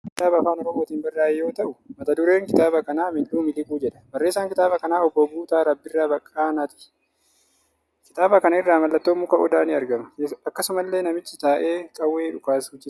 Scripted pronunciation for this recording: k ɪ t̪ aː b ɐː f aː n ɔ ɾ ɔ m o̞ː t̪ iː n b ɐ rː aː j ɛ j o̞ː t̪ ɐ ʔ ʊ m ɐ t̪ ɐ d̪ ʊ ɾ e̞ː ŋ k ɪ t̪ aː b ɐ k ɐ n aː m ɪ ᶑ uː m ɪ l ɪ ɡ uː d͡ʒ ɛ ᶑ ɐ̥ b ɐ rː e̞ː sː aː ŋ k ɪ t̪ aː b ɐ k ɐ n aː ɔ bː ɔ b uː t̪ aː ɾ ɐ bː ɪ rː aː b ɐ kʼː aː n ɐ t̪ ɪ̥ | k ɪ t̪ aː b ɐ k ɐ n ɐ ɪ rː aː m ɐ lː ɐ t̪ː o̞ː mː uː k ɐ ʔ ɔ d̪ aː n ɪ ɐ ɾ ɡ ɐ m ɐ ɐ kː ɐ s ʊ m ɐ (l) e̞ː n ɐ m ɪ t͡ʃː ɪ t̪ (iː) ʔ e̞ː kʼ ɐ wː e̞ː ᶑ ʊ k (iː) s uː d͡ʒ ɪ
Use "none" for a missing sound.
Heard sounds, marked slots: lː, aː, aː

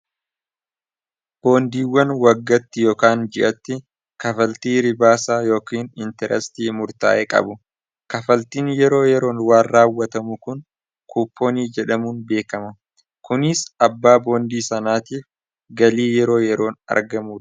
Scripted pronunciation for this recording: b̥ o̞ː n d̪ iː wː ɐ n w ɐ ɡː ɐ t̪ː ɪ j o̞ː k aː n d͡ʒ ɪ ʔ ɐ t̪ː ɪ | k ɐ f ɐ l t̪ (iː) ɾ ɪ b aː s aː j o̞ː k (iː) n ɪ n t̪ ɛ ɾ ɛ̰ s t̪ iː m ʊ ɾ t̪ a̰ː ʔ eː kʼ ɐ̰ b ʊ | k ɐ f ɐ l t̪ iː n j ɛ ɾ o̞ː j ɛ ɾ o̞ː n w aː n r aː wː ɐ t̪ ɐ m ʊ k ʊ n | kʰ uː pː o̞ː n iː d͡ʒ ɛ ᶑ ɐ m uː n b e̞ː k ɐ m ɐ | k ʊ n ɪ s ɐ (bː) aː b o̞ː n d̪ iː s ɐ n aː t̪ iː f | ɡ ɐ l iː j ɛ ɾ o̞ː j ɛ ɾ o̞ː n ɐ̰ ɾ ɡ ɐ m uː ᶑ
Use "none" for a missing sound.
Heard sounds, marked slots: iː, iː, bː

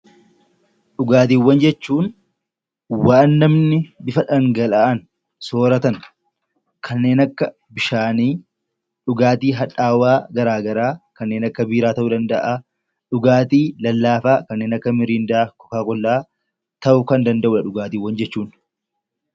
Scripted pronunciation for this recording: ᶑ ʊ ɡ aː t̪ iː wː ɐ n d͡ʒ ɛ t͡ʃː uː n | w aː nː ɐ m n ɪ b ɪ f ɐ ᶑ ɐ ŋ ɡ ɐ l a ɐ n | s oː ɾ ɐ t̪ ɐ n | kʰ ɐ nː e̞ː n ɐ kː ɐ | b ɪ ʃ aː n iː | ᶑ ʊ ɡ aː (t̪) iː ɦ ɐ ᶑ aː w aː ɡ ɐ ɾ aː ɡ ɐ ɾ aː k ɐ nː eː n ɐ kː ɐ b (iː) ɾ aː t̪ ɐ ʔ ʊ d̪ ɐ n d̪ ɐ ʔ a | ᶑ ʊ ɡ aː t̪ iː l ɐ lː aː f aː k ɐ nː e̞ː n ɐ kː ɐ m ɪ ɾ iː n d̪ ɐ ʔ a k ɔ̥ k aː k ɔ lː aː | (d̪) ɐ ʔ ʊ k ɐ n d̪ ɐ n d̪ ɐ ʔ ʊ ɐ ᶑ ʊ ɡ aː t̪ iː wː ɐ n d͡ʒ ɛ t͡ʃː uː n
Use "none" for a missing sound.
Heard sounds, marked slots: t̪, iː, t̪

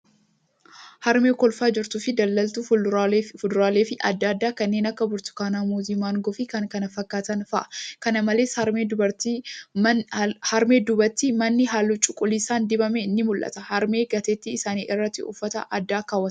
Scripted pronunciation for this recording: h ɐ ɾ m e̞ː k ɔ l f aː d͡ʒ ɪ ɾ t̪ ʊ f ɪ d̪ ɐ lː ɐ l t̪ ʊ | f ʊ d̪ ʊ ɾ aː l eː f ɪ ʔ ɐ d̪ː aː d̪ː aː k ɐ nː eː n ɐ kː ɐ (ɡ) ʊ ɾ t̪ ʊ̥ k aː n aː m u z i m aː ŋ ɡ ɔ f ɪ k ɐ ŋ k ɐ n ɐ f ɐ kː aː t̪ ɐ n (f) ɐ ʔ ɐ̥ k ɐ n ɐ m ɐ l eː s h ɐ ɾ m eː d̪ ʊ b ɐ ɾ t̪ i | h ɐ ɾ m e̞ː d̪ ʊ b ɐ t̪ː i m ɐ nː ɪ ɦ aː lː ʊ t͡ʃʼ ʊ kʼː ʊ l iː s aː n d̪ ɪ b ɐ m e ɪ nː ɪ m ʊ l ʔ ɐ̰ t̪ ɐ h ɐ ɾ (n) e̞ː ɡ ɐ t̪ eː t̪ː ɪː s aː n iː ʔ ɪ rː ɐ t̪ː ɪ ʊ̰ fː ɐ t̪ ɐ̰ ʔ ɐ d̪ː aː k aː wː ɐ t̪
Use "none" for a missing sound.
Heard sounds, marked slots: b, f, m

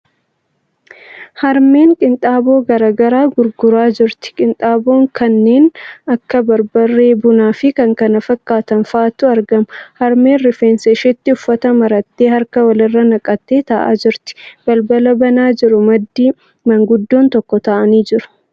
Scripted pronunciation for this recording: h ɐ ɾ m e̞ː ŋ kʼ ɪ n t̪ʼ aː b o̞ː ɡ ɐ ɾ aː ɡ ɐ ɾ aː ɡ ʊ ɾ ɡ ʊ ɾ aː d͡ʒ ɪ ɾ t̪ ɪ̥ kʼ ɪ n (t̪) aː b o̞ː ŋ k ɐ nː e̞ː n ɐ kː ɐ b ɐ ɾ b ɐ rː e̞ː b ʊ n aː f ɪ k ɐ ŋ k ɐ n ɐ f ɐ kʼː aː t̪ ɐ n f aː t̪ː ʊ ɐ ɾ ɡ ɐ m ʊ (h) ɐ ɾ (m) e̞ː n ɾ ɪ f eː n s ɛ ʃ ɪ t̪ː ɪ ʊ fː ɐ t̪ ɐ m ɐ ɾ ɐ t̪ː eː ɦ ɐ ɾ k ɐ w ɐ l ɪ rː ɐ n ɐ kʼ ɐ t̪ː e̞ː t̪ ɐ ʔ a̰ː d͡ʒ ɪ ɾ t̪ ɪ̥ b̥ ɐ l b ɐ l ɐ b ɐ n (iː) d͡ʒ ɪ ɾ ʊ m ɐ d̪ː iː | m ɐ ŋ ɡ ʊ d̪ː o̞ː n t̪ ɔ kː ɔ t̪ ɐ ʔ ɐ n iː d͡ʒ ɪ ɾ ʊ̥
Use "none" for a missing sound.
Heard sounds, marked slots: t̪ʼ, h, m, aː

